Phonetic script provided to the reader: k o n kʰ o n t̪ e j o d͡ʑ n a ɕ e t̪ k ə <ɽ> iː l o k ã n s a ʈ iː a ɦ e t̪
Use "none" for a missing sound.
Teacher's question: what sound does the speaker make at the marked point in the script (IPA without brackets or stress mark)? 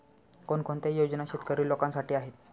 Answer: ɾ